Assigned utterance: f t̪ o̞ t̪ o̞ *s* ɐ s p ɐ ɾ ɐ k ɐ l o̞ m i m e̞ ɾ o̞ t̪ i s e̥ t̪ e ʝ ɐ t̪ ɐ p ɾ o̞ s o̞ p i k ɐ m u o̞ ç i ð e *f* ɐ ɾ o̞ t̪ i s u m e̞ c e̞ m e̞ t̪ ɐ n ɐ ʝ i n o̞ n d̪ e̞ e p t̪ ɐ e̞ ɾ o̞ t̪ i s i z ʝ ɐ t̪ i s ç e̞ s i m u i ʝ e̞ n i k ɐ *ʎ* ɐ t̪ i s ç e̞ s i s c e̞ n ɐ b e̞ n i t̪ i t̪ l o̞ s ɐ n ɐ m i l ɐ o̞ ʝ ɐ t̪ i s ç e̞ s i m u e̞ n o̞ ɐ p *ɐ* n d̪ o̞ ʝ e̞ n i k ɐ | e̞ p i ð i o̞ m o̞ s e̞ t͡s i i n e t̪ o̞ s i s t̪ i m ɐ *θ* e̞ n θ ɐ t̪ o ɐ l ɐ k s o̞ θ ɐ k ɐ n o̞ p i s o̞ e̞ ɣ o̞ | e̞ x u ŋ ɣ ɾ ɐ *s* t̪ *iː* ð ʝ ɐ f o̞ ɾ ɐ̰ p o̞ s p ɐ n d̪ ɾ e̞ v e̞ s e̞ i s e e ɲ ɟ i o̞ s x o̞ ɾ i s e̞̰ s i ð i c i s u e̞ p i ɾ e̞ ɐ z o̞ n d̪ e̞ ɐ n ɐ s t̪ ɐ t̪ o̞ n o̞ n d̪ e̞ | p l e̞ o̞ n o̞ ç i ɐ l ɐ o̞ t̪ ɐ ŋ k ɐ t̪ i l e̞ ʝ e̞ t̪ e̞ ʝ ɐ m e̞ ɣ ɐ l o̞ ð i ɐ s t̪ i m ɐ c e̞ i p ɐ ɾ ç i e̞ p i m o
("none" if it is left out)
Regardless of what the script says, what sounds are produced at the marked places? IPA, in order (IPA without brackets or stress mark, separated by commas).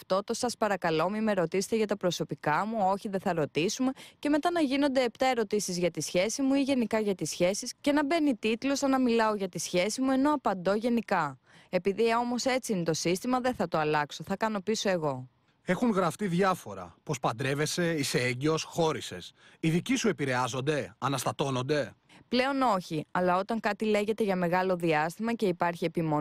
s, θ, ʝ, ɐ, ð, f, i